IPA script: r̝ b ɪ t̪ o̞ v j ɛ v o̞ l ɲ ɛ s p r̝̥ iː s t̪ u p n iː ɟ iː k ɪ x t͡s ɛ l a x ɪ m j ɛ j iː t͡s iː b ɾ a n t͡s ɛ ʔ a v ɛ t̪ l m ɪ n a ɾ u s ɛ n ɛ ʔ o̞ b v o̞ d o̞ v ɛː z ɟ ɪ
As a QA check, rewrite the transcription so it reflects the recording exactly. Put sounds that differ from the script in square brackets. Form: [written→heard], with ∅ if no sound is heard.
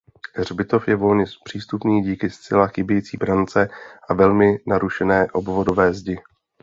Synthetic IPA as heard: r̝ b ɪ t̪ o̞ [v→f] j ɛ v o̞ l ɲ ɛ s p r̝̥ iː s t̪ u p n iː ɟ iː k ɪ [x→s] t͡s ɛ l a x ɪ [m→b] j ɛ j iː t͡s iː b ɾ a n t͡s ɛ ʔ a v ɛ [t̪→∅] l m ɪ n a ɾ u [s→ʃ] ɛ n [ɛ→ɛː] ʔ o̞ b v o̞ d o̞ v ɛː z ɟ ɪ